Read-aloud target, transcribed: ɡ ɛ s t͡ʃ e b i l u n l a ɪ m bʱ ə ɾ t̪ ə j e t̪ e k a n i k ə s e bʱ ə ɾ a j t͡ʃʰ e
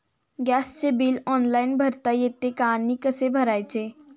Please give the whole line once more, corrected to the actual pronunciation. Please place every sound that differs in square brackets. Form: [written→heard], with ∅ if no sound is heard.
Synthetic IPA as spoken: ɡ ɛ s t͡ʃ e b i l [u→ɔ] n l a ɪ [m→n] bʱ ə ɾ t̪ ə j e t̪ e k a n i k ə s e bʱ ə ɾ a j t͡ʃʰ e